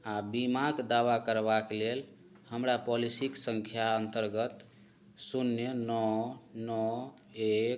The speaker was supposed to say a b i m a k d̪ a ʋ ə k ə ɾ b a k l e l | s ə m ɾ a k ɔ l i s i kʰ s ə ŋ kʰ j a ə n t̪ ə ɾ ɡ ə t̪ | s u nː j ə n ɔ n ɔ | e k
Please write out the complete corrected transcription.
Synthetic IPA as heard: a b i m a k d̪ a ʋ a k ə ɾ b a k l e l | h ə m ɾ a p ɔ l i s i k s ə ŋ kʰ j a ə n t̪ ə ɾ ɡ ə t̪ | s u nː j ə n ɔ n ɔ | e k

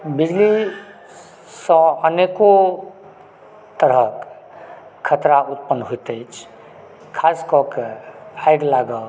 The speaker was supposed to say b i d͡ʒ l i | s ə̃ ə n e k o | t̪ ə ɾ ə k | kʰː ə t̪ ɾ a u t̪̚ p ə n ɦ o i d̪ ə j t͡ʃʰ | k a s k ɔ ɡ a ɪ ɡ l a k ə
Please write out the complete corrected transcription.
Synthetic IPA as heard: b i d͡ʒ l i | s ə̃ ə n e k o | t̪ ə ɾ ə k | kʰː ə t̪ ɾ a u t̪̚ p ə n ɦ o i t̪ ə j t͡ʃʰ | kʰ a s k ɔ k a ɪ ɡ l a ɡ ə

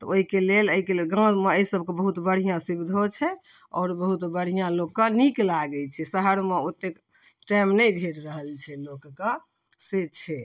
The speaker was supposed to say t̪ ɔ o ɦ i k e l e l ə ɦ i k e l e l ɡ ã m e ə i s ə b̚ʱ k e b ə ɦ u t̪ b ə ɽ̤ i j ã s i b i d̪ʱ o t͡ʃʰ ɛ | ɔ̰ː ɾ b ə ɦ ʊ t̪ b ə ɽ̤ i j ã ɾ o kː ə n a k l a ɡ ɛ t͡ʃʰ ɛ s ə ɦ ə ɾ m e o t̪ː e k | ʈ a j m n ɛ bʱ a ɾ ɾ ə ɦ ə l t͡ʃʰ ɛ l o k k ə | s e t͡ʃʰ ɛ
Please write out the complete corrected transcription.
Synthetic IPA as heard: t̪ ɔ o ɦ i k e l e l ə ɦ i k e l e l ɡ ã m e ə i s ə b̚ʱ k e b ə ɦ u t̪ b ə ɽ̤ i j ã s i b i d̪ʱ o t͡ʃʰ ɛ | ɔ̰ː ɾ b ə ɦ u t̪ b ə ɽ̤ i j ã l o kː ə n i k l a ɡ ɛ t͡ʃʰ ɛ s ə ɦ ə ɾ m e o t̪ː e k | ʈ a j m n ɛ bʱ e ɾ ɾ ə ɦ ə l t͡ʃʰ ɛ l o k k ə | s e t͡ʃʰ ɛ

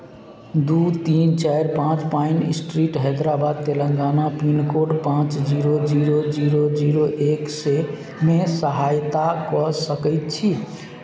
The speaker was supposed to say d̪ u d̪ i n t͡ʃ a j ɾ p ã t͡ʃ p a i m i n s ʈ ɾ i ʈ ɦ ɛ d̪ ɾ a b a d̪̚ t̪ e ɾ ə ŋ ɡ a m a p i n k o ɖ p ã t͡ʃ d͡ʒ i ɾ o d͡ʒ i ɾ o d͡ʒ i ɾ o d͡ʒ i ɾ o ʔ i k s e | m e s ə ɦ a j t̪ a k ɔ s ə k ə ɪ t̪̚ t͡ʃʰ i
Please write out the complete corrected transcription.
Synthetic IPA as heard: d̪ u t̪ i n t͡ʃ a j ɾ p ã t͡ʃ p a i n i s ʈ ɾ i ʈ ɦ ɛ d̪ ɾ a b a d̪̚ t̪ e l ə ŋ ɡ a n a p i n k o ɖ p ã t͡ʃ d͡ʒ i ɾ o d͡ʒ i ɾ o d͡ʒ i ɾ o d͡ʒ i ɾ o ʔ e k s e | m e s ə ɦ a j t̪ a k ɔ s ə k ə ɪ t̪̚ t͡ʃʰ i

